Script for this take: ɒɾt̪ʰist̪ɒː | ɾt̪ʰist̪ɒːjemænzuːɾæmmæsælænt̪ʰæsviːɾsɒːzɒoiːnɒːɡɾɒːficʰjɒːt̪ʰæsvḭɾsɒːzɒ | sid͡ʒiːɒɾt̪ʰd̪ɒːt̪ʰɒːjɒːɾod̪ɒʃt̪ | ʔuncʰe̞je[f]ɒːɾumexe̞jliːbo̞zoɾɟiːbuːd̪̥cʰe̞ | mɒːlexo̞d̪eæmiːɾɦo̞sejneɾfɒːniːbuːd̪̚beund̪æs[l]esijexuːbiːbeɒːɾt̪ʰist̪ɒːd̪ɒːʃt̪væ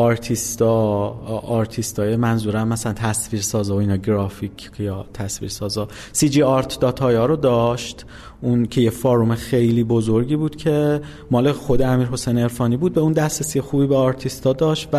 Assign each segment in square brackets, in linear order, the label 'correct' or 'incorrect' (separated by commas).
correct, incorrect